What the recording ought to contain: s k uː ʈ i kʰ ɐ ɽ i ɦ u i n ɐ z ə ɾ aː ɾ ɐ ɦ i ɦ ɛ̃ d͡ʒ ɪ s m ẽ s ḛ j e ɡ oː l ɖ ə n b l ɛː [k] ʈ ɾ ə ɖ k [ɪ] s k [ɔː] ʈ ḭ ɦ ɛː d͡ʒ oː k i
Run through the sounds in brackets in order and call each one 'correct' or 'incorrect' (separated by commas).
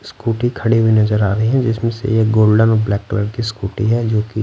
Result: correct, incorrect, incorrect